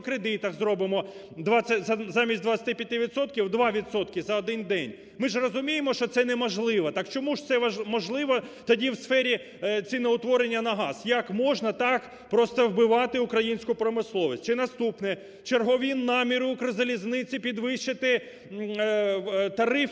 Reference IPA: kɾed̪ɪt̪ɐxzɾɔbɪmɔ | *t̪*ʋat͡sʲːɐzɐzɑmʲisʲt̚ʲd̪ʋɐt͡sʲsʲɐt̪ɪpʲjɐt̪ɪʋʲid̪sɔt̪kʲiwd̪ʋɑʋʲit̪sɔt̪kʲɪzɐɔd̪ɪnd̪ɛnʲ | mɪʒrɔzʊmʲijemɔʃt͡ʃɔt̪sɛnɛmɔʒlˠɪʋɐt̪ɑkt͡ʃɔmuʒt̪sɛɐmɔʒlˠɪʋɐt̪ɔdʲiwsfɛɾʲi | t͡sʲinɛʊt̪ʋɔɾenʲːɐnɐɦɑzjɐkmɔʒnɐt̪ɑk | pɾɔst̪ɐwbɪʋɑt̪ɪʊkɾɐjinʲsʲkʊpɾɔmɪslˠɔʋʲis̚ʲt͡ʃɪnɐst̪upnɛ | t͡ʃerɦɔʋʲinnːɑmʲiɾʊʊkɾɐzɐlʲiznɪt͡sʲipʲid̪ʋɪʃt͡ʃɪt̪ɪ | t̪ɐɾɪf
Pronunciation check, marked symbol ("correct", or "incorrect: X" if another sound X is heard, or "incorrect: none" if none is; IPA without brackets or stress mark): incorrect: d̪